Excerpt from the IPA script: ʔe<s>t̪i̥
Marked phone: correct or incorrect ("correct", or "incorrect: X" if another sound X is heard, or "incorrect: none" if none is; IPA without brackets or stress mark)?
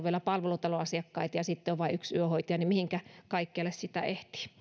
incorrect: h